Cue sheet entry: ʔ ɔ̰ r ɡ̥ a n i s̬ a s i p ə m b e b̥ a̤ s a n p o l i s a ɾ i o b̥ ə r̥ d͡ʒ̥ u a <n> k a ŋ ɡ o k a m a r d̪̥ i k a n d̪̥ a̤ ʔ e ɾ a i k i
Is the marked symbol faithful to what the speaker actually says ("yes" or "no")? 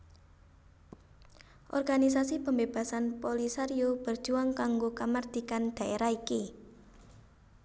no